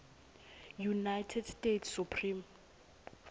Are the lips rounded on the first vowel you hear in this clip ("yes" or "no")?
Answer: yes